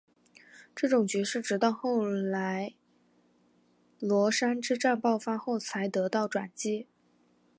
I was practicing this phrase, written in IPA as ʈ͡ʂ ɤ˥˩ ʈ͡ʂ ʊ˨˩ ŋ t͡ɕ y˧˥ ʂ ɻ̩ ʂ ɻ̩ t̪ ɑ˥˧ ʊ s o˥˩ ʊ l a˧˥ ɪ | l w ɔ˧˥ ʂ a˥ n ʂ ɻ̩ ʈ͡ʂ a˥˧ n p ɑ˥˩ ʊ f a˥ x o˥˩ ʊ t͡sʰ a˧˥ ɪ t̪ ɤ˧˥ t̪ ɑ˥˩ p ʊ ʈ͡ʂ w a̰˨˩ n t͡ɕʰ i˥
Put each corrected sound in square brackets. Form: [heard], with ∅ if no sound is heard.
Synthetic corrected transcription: ʈ͡ʂ ɤ˥˩ ʈ͡ʂ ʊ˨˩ ŋ t͡ɕ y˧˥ ʂ ɻ̩ [ʈ͡ʂ] ɻ̩ t̪ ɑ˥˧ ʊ [x] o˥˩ ʊ l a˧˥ ɪ | l w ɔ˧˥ ʂ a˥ n [ʈ͡ʂ] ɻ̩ ʈ͡ʂ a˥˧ n p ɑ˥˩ ʊ f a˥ x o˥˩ ʊ t͡sʰ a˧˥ ɪ t̪ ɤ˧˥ t̪ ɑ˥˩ [∅] ʊ ʈ͡ʂ w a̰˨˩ n [t͡ɕ] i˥